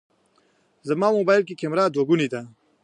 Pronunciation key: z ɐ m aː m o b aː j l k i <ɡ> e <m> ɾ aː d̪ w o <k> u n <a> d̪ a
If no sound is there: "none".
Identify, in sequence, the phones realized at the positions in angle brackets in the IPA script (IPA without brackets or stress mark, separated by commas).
k, m, ɡ, i